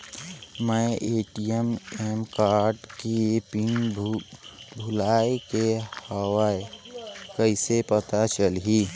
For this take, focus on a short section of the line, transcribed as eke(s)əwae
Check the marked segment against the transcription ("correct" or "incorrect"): incorrect